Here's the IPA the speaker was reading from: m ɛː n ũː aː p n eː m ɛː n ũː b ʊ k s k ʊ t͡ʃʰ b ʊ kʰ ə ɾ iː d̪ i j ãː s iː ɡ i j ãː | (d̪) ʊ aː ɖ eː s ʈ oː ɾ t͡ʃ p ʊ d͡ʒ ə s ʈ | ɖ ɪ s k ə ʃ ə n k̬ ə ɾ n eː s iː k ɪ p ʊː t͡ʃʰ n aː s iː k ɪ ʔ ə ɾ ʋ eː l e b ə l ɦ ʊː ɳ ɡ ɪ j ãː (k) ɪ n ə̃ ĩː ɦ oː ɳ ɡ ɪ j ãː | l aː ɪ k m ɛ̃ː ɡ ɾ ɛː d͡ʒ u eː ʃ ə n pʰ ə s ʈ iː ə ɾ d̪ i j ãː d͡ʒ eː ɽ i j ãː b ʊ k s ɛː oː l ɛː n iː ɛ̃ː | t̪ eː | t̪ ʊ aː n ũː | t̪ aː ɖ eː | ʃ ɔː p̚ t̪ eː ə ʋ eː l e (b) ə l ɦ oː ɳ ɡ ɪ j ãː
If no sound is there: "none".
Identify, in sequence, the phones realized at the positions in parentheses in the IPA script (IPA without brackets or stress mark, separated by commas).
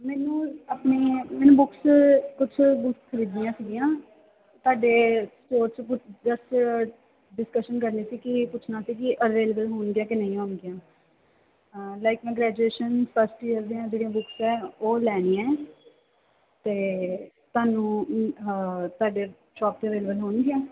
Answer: t̪, k, b